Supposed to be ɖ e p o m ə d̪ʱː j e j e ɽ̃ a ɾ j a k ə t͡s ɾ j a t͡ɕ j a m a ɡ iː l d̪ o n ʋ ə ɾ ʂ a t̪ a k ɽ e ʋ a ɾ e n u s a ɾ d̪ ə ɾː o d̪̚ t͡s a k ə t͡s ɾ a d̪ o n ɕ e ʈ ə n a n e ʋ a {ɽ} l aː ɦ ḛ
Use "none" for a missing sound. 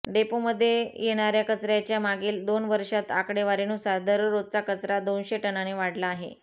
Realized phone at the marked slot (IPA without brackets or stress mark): ɽ